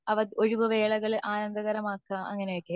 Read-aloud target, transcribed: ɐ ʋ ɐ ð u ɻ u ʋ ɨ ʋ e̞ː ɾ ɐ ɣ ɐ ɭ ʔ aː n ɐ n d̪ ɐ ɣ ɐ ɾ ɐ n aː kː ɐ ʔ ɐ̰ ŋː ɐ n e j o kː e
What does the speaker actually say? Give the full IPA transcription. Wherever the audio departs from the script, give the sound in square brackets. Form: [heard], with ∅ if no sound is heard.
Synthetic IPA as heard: ɐ ʋ ɐ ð [o] ɻ u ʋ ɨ ʋ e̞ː [ɭ] ɐ ɣ ɐ ɭ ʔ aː n ɐ n d̪ ɐ ɣ ɐ ɾ ɐ [m] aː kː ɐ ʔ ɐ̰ ŋː ɐ n e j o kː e

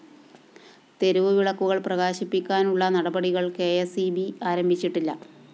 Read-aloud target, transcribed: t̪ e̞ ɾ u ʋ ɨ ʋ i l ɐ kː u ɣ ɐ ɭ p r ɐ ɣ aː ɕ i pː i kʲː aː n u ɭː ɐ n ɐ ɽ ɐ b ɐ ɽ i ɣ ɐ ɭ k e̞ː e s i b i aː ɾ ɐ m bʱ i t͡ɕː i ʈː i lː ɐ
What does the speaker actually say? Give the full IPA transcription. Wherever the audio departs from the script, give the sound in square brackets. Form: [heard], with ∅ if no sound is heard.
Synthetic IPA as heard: t̪ e̞ ɾ u ʋ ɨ ʋ i [ɭ] ɐ kː u ɣ ɐ ɭ p r ɐ ɣ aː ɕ i pː i kʲː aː n u ɭː ɐ n ɐ ɽ ɐ b ɐ ɽ i ɣ ɐ ɭ k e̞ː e s i b i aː ɾ ɐ m bʱ i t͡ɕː i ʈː i lː ɐ

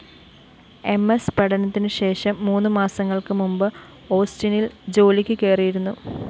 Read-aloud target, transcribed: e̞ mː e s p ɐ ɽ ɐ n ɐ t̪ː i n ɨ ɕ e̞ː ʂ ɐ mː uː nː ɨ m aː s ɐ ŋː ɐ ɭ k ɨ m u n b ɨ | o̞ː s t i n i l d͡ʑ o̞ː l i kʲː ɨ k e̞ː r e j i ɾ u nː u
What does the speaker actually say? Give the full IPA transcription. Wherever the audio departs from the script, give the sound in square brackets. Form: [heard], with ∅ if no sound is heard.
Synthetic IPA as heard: e̞ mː e s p ɐ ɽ ɐ n ɐ t̪ː i n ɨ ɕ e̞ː ʂ ɐ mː uː nː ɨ m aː s ɐ ŋː ɐ ɭ k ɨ m u [m] b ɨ | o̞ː s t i n i l d͡ʑ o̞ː l i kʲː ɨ k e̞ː r [i] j i ɾ u nː u

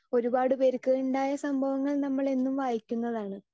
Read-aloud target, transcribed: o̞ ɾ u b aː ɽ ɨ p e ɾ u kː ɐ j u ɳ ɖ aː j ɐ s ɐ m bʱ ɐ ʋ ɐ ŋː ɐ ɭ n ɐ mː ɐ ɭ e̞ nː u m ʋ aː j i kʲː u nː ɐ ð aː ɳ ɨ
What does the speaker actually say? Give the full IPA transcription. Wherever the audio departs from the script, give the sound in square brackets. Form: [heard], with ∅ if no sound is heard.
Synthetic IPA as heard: o̞ ɾ u b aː ɽ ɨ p e ɾ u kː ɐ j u ɳ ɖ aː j ɐ s ɐ m bʱ ɐ ʋ ɐ ŋː ɐ ɭ n ɐ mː ɐ ɭ e̞ nː u m ʋ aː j i kʲː u nː ɐ ð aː ɳ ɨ

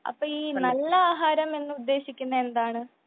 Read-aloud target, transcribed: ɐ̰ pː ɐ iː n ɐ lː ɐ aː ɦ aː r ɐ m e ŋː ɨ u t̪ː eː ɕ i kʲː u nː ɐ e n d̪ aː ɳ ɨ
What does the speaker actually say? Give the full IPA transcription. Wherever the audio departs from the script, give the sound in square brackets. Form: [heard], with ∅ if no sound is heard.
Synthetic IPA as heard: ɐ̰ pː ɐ iː n ɐ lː ɐ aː ɦ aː [ɾ] ɐ m e [nː] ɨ u [d̪ː] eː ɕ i kʲː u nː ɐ e n d̪ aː ɳ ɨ

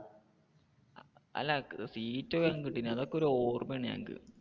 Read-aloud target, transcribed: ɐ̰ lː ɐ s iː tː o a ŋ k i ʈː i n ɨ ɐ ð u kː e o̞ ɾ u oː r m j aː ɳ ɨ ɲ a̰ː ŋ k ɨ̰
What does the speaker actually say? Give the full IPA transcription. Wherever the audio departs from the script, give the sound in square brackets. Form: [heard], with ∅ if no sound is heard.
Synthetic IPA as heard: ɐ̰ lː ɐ s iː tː o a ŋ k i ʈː i n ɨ ɐ ð [o] kː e o̞ ɾ u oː r m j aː ɳ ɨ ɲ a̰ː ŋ k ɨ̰

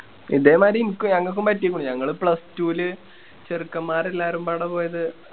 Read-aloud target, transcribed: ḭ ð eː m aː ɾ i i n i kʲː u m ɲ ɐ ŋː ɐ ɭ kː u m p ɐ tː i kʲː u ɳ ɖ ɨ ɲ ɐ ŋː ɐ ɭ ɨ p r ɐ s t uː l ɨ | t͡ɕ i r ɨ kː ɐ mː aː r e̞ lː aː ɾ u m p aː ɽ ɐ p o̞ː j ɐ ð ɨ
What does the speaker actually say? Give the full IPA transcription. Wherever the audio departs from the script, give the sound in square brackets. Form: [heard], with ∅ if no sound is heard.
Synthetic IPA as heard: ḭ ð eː m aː ɾ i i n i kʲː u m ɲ ɐ ŋː ɐ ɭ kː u m p ɐ tː i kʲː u ɳ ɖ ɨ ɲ ɐ ŋː ɐ ɭ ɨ p [ɭ] ɐ s t uː l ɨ | t͡ɕ [e] r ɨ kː ɐ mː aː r e̞ lː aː ɾ u m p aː ɽ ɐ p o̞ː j ɐ ð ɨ

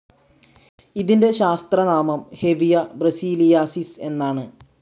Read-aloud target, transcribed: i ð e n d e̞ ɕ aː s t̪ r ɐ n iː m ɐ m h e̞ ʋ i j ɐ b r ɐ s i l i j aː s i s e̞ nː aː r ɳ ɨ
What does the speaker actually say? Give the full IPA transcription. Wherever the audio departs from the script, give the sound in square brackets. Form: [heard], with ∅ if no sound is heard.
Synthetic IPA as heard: i ð [i] n d e̞ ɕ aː s t̪ r ɐ n [aː] m ɐ m h e̞ ʋ i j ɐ b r ɐ s [iː] l i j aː s i s e̞ nː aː [∅] ɳ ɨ

